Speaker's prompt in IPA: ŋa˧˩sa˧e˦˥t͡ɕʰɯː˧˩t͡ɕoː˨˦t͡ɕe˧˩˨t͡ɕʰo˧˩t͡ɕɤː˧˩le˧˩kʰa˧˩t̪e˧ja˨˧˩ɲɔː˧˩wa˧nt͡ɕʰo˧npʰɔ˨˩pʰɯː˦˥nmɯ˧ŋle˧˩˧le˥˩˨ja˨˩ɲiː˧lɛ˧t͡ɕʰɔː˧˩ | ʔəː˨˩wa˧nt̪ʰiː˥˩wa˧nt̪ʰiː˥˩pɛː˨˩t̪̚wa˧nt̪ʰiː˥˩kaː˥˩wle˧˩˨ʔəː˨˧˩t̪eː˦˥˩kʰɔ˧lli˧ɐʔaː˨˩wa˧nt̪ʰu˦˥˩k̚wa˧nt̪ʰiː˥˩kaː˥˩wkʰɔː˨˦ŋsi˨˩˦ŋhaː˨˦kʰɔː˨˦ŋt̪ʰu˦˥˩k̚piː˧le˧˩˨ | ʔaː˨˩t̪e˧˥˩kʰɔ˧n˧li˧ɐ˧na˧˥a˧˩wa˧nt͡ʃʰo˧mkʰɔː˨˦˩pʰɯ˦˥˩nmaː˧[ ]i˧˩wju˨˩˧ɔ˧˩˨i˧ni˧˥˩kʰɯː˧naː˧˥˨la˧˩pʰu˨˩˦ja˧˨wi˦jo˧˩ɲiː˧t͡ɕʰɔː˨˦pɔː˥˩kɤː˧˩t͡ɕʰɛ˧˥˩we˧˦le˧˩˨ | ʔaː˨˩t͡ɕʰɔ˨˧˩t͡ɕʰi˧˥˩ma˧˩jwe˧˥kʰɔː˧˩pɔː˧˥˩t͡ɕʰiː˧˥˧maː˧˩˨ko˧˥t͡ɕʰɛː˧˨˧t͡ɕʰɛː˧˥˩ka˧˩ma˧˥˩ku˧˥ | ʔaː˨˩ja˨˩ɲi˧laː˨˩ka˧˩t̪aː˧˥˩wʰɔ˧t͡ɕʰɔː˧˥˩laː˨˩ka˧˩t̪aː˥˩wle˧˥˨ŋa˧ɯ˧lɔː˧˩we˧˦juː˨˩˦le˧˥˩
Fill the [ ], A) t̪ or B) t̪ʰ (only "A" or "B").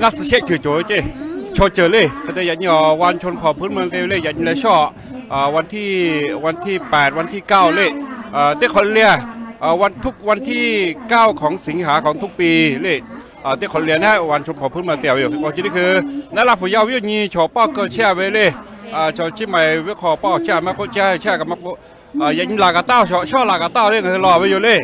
A